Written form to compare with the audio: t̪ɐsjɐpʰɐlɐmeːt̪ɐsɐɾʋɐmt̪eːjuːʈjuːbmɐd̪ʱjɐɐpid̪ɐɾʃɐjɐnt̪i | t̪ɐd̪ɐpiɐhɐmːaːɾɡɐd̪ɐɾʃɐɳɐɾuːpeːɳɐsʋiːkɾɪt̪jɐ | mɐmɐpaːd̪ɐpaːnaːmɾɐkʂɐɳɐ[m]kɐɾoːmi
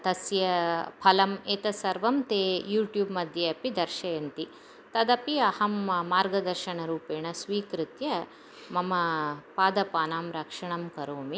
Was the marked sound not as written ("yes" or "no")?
no